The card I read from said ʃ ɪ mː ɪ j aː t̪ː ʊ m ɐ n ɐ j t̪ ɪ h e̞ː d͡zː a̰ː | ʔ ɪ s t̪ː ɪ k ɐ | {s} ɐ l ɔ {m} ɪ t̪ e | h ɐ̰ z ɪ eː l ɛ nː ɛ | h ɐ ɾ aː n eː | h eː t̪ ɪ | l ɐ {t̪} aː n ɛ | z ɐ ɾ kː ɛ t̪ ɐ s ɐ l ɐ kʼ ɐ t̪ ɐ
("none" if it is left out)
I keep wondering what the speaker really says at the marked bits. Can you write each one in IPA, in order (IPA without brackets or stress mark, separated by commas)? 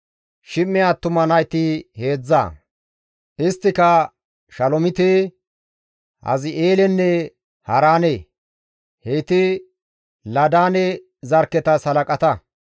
ʃ, m, d̪